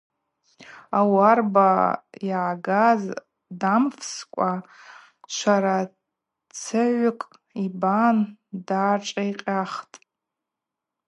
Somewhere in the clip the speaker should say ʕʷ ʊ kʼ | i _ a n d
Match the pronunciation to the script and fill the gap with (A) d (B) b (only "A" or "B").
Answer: B